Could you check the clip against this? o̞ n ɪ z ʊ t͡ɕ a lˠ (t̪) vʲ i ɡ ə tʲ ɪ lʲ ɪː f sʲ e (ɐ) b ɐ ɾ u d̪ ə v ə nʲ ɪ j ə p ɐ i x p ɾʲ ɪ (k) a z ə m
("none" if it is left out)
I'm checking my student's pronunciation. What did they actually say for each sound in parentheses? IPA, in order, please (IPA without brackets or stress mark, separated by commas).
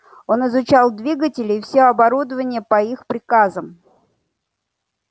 d̪, ɐ, k